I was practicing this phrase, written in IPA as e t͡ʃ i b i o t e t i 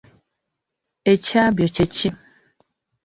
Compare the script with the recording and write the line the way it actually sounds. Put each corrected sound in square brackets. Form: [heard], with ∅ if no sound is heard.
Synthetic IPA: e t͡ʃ [a] b [j] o [t͡ʃ] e [t͡ʃ] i